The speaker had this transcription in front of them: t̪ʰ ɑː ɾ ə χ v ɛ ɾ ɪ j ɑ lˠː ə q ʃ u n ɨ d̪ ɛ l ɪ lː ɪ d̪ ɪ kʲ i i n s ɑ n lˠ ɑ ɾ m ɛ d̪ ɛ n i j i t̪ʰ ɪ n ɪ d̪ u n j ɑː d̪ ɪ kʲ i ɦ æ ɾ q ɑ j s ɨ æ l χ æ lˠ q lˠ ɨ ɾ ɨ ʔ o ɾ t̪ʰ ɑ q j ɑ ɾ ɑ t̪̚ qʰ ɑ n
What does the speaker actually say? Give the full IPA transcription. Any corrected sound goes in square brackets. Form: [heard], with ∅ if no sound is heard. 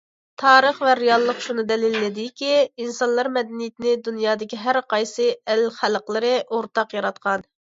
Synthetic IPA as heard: t̪ʰ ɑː ɾ ə χ v ɛ ɾ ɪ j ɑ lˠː ə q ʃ u n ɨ d̪ ɛ l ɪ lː ɪ d̪ ɪ kʲ i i n s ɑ n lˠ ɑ ɾ m ɛ d̪ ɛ n i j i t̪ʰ ɪ n ɪ d̪ u n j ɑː d̪ ɪ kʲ i ɦ æ ɾ q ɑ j s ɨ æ l χ æ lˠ q lˠ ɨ ɾ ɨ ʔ o ɾ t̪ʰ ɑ q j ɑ ɾ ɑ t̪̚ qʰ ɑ n